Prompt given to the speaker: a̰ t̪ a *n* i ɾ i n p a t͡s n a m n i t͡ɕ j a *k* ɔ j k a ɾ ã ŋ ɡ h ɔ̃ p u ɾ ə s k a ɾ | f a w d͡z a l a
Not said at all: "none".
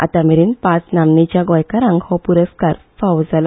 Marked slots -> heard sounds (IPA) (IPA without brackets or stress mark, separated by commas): m, ɡ